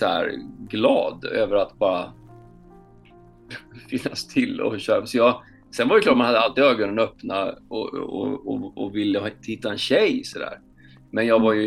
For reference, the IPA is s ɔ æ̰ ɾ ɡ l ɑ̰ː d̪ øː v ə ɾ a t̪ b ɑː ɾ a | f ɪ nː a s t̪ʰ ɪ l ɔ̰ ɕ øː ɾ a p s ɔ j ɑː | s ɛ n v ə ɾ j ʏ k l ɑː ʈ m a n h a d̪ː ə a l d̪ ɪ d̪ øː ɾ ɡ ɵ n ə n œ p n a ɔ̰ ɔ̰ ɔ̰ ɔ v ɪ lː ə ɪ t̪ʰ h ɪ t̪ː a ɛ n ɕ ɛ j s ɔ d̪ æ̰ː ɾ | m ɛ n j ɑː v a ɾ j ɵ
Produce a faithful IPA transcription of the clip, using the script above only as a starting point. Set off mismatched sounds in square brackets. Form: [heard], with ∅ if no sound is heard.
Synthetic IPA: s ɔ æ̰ ɾ ɡ l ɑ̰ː d̪ øː v ə ɾ a t̪ b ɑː ɾ a | f ɪ nː a s t̪ʰ ɪ l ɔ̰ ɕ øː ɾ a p s ɔ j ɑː | s ɛ n v [a] ɾ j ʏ k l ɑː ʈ m a n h a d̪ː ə a l [t̪] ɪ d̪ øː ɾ ɡ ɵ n ə n œ p n a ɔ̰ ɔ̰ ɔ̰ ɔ v ɪ lː ə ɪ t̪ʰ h ɪ t̪ː a ɛ n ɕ ɛ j s ɔ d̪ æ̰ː ɾ | m ɛ n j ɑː v a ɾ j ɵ